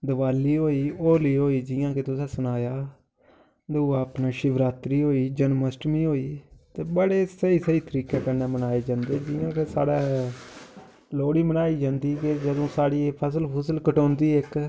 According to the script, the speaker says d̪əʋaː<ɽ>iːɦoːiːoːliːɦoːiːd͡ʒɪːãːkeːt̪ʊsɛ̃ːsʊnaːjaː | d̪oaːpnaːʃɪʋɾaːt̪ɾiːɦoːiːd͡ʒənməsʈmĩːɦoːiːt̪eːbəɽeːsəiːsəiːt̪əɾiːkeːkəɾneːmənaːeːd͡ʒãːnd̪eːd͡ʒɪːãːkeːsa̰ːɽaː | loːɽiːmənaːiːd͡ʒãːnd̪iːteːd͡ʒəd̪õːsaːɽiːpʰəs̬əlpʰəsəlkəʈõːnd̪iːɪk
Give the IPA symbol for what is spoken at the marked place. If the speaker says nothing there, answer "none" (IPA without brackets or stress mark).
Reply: l